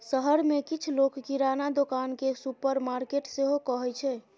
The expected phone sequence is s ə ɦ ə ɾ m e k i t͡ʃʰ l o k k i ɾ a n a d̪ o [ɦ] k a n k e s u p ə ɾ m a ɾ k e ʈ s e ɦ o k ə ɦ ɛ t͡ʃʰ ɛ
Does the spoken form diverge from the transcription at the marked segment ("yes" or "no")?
yes